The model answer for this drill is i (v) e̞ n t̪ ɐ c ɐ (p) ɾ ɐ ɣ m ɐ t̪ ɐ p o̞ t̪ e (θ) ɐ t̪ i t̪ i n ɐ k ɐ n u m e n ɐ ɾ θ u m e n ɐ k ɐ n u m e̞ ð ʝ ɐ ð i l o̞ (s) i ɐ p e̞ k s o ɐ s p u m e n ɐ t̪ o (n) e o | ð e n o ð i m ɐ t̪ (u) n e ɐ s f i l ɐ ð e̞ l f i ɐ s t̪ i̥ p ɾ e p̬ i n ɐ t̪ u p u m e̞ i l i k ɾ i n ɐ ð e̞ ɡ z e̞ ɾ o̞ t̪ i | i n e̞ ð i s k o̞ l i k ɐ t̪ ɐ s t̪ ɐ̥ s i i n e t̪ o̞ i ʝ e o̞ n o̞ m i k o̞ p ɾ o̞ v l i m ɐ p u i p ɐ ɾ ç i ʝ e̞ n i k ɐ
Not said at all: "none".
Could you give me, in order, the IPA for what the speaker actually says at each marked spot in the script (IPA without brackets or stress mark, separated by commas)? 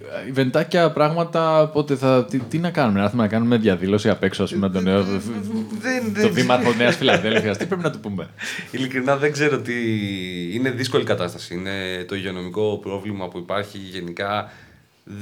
v, p, θ, s, n, o